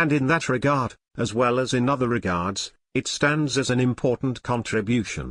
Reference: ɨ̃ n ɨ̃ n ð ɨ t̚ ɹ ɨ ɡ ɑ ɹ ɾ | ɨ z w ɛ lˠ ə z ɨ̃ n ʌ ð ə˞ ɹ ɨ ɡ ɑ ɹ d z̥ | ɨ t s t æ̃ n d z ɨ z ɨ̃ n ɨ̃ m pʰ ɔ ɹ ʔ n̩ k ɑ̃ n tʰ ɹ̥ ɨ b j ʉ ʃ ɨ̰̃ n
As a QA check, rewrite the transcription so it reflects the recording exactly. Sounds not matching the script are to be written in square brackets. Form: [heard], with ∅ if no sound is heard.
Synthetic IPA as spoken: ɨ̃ n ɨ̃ n ð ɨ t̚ ɹ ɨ ɡ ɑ ɹ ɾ | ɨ z w ɛ lˠ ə z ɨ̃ n ʌ ð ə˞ ɹ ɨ ɡ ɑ ɹ d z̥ | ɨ t s t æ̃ n d z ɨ z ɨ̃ n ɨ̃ m pʰ ɔ ɹ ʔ n̩ [kʰ] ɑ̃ n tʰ ɹ̥ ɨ b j ʉ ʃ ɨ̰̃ n